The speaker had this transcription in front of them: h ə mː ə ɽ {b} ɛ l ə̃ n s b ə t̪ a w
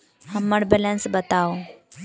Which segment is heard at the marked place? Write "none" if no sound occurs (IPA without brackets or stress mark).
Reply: b